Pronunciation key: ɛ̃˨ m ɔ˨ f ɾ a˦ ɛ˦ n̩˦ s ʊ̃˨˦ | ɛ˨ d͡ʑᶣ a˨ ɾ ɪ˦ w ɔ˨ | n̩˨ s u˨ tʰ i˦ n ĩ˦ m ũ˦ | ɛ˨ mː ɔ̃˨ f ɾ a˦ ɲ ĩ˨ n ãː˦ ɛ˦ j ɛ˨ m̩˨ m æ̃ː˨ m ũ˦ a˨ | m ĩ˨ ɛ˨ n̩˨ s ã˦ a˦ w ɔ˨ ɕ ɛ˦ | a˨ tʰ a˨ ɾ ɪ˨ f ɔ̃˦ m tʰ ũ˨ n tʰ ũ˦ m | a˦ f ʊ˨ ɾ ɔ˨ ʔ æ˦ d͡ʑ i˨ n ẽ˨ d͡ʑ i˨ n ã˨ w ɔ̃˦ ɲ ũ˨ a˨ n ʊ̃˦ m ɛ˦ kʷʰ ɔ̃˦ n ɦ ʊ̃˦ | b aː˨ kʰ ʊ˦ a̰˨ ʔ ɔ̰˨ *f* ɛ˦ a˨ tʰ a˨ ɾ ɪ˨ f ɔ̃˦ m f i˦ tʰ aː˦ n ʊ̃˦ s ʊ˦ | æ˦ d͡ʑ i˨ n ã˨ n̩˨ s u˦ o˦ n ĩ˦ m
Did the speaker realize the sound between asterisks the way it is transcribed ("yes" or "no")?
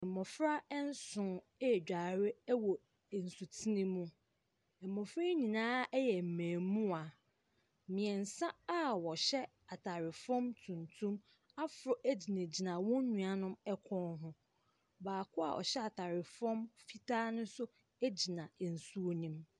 no